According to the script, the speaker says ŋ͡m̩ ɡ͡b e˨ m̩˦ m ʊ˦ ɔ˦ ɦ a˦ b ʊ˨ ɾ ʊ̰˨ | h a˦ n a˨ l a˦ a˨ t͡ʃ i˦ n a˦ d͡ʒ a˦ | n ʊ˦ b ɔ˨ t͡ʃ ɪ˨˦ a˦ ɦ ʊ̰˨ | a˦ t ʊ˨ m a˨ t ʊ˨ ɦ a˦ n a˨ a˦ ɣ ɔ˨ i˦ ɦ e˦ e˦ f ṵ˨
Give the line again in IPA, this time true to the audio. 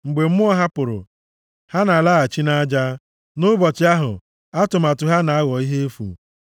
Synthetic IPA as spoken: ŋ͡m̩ ɡ͡b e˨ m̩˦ m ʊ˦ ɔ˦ ɦ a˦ p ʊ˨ ɾ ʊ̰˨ | h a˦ n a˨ l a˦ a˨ t͡ʃ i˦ n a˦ d͡ʒ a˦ | n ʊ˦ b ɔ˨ t͡ʃ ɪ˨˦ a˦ ɦ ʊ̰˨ | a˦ t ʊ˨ m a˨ t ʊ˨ ɦ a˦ n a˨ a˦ ɣ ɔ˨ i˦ ɦ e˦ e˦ f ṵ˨